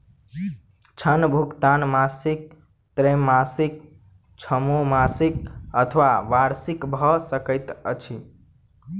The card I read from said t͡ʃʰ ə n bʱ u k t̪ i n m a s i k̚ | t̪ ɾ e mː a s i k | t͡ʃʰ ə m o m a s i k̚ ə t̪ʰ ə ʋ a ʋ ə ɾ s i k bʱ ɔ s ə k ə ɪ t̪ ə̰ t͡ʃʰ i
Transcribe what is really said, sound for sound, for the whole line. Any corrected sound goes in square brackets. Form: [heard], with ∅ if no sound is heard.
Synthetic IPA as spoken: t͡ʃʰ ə n bʱ u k t̪ [a] n m a s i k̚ | t̪ ɾ e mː a s i k | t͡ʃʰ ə m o m a s i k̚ ə t̪ʰ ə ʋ a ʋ [a] ɾ s i k bʱ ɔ s ə k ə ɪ t̪ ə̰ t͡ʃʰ i